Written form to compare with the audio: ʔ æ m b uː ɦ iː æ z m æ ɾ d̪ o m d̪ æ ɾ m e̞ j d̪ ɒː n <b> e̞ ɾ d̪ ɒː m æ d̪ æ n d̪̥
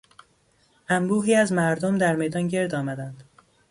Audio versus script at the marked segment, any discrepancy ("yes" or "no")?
yes